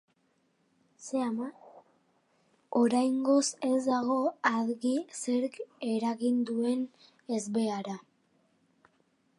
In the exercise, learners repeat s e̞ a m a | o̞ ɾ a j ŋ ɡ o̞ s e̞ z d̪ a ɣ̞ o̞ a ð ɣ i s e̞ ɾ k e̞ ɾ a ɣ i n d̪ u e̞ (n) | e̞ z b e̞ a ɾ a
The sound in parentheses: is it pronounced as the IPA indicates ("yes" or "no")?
yes